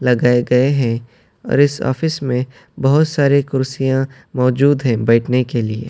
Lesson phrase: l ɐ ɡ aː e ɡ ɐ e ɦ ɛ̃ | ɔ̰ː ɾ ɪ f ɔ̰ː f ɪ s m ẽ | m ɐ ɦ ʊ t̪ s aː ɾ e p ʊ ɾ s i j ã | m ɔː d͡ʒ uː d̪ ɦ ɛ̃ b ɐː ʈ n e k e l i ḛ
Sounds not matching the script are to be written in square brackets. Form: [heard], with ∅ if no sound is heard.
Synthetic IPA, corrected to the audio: l ɐ ɡ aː e ɡ ɐ e ɦ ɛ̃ | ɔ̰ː ɾ ɪ [s] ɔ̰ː f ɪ s m ẽ | [b] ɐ ɦ ʊ t̪ s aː ɾ e [k] ʊ ɾ s i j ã | m ɔː d͡ʒ uː d̪ ɦ ɛ̃ b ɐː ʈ n e k e l i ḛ